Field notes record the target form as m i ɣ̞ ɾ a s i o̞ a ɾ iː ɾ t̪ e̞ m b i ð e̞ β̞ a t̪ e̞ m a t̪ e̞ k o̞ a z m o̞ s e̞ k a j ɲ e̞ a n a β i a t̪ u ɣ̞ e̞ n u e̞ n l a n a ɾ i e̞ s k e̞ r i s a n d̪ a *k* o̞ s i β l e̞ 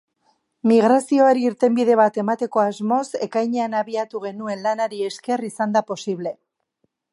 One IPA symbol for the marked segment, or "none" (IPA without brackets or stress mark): p